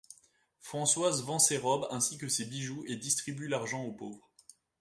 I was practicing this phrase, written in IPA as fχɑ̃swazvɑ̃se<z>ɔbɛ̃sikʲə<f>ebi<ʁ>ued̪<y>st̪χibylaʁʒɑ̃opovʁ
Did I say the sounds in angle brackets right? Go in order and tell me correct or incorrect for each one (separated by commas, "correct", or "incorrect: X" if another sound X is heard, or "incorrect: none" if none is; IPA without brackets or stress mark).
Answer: incorrect: ʁ, incorrect: s, incorrect: ʒ, incorrect: i